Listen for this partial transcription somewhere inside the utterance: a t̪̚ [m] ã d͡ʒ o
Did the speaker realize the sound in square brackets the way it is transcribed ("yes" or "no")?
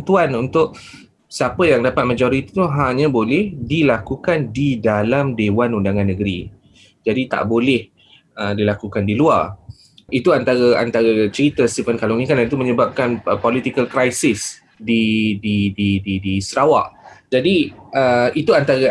yes